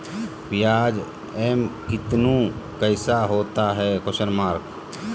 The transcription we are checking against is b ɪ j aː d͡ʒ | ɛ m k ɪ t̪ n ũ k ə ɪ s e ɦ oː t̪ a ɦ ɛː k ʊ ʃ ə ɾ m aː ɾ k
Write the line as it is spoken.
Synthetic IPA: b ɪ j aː d͡ʒ | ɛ m k ɪ t̪ n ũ k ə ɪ s a ɦ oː t̪ a ɦ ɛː k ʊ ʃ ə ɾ m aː ɾ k